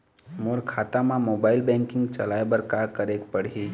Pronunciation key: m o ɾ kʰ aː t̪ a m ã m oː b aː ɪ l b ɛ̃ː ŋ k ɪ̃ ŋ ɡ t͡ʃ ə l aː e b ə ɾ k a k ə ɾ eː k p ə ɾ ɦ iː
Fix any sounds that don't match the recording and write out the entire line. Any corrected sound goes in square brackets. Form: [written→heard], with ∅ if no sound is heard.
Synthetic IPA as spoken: m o ɾ kʰ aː t̪ a m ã m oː b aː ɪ l b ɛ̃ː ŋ k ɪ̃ ŋ ɡ t͡ʃ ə l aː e b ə ɾ k a k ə ɾ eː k p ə [ɾ→ɽ] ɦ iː

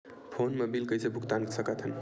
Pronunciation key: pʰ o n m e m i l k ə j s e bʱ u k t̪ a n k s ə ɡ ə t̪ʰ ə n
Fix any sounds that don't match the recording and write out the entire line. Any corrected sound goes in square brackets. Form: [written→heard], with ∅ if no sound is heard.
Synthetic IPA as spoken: pʰ o n m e [m→b] i l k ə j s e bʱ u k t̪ a n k s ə [ɡ→k] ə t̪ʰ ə n

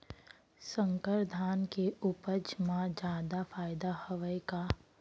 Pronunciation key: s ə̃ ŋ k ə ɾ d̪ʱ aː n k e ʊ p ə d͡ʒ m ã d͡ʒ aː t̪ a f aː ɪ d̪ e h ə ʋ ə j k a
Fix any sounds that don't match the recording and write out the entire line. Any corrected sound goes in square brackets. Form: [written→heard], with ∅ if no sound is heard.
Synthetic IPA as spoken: s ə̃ ŋ k ə ɾ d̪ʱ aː n k e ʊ p ə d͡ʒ m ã d͡ʒ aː [t̪→d̪] a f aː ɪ d̪ [e→a] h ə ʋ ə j k a

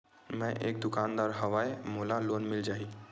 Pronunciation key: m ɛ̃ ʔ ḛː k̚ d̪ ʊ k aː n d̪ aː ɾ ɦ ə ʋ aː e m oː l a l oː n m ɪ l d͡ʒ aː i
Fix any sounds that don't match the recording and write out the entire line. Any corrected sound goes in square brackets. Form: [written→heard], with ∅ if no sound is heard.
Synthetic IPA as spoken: m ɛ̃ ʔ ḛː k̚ d̪ ʊ k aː n d̪ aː ɾ ɦ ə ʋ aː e m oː l a l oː n m ɪ l d͡ʒ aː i

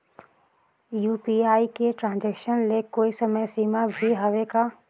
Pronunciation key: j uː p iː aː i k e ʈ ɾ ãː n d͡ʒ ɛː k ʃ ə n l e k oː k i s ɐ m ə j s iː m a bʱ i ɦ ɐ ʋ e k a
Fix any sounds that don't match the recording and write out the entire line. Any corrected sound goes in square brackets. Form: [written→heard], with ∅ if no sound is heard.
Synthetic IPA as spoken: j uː p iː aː i k e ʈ ɾ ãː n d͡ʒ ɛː k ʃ ə n l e k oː [k→∅] i s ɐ m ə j s iː m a bʱ i ɦ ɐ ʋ e k a

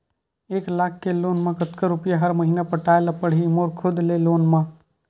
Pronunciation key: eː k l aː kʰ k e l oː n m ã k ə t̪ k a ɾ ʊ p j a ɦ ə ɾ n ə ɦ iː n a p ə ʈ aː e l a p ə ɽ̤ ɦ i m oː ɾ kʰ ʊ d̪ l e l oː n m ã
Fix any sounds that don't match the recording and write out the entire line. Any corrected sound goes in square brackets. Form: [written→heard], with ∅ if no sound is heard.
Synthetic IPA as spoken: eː k l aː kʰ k e l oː n m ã k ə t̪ k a ɾ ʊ p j a ɦ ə ɾ [n→m] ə ɦ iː n a p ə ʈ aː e l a p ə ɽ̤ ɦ i m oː ɾ kʰ ʊ d̪ l e l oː n m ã

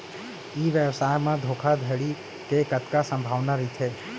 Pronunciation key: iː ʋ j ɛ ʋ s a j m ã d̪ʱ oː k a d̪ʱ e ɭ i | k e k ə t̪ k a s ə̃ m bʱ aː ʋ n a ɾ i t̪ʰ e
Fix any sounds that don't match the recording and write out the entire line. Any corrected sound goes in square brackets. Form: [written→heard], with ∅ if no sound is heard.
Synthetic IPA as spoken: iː ʋ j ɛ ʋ s a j m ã d̪ʱ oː [k→kʰ] a d̪ʱ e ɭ i | k e k ə t̪ k a s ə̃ m bʱ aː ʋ n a ɾ i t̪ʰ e

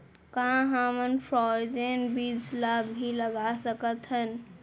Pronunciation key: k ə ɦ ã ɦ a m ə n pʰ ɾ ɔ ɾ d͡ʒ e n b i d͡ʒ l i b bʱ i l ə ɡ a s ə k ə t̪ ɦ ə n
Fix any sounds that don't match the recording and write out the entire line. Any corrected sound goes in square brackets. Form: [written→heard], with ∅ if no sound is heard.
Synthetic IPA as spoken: k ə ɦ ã ɦ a m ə n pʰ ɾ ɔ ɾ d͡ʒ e n b i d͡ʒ l [i→a] b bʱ i l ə ɡ a s ə k ə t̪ ɦ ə n

